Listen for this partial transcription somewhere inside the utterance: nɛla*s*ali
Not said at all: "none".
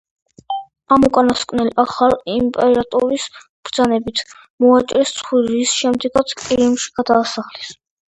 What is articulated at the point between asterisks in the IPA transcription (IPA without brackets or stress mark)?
χ